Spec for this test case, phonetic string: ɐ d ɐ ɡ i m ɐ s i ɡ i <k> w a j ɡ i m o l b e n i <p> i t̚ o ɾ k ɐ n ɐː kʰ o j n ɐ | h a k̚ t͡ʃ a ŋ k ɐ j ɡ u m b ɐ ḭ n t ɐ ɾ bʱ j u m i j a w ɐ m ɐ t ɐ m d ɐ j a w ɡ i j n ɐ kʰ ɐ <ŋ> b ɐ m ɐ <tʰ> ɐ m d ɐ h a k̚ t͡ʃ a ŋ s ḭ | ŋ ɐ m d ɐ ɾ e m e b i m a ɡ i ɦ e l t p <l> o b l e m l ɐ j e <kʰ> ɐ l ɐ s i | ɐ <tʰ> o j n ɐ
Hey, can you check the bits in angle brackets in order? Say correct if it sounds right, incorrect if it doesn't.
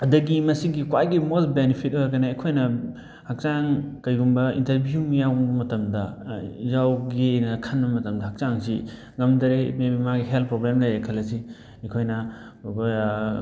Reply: correct, incorrect: pʰ, incorrect: n, incorrect: t, incorrect: ɾ, correct, incorrect: kʰ

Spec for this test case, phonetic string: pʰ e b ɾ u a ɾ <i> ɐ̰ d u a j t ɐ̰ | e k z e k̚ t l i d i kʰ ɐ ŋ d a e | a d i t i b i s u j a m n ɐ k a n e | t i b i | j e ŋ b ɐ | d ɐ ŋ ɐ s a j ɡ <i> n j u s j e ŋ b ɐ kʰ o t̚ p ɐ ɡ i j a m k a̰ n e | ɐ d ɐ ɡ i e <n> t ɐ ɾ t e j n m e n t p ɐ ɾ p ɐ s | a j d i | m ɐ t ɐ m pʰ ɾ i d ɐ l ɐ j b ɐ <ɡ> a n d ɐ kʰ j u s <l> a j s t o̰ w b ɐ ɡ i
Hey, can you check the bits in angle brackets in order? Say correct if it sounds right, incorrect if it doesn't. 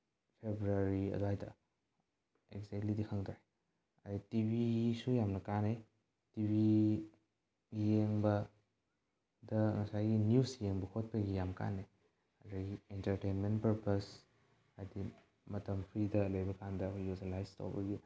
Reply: correct, correct, correct, incorrect: k, correct

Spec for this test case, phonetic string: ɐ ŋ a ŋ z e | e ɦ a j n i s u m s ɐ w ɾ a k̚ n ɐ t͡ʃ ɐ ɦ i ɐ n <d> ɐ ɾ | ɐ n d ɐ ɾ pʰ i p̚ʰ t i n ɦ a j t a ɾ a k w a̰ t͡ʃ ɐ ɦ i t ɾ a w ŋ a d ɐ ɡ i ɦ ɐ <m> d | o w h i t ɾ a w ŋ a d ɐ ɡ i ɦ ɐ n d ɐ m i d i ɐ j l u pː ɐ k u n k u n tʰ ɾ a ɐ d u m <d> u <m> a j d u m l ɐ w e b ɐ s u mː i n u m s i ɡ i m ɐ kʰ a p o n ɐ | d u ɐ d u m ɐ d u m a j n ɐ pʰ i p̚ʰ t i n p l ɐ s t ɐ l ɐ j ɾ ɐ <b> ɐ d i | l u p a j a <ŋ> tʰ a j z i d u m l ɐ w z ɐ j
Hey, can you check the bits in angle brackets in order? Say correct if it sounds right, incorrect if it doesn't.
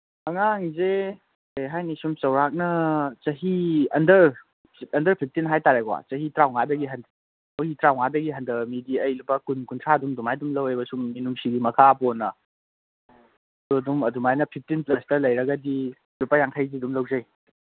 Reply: correct, incorrect: n, correct, correct, incorrect: ɡ, correct

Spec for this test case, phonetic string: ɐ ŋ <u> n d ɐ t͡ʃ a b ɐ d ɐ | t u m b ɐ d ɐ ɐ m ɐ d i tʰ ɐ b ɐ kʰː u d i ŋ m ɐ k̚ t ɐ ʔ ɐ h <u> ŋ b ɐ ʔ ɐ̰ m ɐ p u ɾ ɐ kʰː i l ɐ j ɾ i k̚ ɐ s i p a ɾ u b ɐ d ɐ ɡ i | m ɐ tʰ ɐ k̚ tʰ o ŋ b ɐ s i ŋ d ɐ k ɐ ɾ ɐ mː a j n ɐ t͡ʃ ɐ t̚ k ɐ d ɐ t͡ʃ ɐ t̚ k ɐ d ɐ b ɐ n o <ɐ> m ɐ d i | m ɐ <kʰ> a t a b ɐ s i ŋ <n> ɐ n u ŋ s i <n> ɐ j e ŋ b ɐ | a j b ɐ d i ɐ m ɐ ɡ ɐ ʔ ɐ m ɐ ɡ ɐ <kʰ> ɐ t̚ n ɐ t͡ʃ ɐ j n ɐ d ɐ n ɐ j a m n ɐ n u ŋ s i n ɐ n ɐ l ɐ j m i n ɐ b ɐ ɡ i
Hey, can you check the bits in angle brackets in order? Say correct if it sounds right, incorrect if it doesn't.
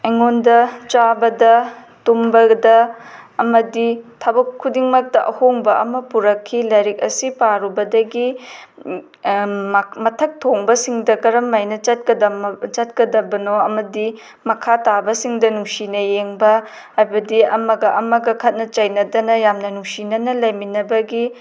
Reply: incorrect: o, incorrect: o, correct, correct, incorrect: d, correct, correct

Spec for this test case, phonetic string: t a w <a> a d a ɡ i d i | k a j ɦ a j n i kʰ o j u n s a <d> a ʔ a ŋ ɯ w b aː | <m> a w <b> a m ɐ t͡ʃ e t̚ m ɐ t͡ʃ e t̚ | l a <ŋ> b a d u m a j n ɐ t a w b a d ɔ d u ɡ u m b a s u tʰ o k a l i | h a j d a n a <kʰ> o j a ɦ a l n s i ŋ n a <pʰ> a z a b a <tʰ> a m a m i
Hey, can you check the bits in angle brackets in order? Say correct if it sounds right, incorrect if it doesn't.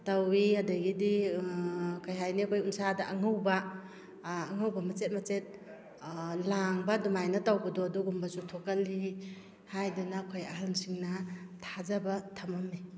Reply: incorrect: i, correct, incorrect: ŋ, correct, correct, correct, incorrect: tʰ, correct

